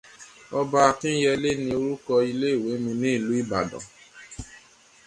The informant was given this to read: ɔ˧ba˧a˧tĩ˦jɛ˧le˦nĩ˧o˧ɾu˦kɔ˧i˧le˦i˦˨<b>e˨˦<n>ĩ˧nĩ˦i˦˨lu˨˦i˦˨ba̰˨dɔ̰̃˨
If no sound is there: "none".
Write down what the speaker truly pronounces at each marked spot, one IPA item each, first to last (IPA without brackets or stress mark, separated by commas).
w, m